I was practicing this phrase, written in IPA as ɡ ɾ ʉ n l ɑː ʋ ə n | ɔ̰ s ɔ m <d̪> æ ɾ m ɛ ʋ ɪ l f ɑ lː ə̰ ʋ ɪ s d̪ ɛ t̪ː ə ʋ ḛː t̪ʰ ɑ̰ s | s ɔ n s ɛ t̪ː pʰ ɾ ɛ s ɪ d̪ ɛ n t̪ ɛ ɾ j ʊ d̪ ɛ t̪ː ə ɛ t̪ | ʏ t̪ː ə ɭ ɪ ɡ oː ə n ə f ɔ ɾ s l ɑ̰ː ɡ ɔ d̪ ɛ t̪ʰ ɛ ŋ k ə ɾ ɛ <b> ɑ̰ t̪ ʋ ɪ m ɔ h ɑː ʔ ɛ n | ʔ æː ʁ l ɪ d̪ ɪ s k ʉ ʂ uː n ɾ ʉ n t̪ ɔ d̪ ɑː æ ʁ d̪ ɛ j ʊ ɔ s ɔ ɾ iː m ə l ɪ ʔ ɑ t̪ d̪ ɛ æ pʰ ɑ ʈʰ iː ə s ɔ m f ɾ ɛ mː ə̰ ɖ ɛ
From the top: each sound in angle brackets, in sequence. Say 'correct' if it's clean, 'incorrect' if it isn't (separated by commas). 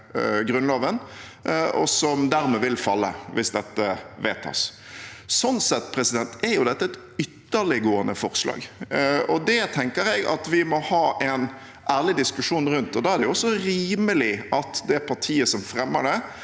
correct, incorrect